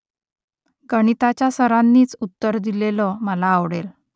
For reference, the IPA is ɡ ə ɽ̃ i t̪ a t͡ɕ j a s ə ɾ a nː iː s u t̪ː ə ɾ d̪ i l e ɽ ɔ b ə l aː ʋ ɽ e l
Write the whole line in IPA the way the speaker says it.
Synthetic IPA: ɡ ə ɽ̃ i t̪ a t͡ɕ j a s ə ɾ a nː iː t͡s u t̪ː ə ɾ d̪ i l e l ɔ m ə l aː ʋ ɽ e l